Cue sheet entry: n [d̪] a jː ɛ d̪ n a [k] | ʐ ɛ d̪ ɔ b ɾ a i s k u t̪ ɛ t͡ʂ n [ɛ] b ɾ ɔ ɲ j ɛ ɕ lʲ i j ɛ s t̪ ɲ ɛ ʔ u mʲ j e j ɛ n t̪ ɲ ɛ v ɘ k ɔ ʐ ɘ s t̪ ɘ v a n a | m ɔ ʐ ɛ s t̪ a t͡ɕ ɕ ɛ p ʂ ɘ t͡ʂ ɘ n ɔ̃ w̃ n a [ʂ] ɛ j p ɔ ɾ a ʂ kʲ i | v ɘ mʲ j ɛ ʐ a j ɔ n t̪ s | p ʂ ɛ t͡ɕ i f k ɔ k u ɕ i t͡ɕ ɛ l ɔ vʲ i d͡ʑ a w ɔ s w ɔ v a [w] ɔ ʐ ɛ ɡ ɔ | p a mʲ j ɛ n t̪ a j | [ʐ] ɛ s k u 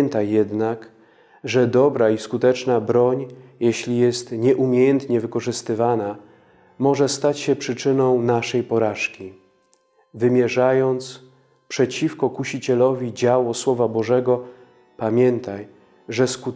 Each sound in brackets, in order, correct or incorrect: incorrect: t̪, correct, incorrect: a, correct, incorrect: b, correct

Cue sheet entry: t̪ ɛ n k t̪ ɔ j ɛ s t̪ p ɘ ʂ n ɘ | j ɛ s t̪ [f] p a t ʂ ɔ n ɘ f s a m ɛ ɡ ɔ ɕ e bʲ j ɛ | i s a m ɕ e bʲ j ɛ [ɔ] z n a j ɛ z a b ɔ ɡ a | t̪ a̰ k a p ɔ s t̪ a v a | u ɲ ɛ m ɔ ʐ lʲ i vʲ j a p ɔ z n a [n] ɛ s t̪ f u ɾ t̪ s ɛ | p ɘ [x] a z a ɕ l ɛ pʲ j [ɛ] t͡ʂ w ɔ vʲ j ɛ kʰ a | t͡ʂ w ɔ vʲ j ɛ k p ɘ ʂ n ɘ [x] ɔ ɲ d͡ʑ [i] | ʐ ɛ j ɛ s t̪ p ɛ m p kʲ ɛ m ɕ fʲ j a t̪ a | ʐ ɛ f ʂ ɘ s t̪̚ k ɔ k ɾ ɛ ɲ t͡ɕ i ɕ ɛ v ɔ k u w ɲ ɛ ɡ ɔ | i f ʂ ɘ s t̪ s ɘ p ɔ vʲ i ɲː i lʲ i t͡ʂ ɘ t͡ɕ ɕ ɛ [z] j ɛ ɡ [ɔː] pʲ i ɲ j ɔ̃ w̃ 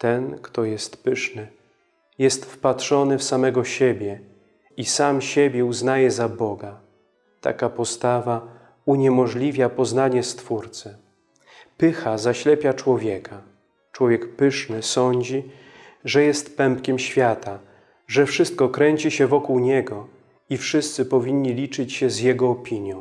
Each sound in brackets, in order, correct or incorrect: correct, incorrect: u, incorrect: ɲ, correct, incorrect: a, incorrect: s, correct, correct, correct

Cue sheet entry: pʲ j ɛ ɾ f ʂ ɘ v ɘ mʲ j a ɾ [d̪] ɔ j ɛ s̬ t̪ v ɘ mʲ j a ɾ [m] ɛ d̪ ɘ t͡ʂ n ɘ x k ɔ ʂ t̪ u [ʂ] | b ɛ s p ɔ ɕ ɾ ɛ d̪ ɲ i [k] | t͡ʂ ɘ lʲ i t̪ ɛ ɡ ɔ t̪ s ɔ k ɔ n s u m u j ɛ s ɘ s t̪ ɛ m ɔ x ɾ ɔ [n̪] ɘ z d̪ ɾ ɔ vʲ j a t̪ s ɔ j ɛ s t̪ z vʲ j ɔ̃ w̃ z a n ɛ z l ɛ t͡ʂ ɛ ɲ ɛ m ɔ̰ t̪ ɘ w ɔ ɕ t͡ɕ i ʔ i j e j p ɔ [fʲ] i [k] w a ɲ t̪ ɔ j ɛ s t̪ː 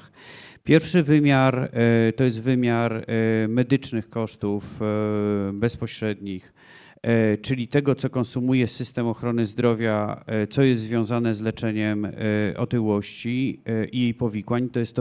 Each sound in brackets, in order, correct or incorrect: incorrect: t̪, correct, incorrect: f, incorrect: x, correct, incorrect: vʲ, correct

